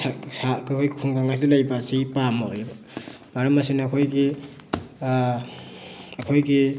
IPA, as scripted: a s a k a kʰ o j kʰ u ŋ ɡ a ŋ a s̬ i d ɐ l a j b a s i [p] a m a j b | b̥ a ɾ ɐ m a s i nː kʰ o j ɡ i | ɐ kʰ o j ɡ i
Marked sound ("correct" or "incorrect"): correct